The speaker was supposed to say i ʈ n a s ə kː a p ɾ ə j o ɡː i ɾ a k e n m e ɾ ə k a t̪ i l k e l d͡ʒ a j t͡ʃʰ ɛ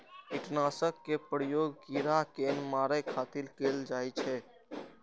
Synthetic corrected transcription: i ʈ n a s ə kː e p ɾ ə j o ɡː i ɾ a k e n m a ɾ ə kʰ a t̪ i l k e l d͡ʒ a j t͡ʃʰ ɛ